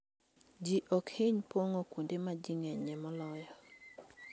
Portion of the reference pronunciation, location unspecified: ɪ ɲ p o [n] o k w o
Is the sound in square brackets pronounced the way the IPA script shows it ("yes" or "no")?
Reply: no